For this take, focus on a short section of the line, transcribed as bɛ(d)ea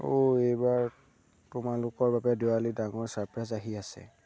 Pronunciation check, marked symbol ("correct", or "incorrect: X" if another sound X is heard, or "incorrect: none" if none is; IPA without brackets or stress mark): correct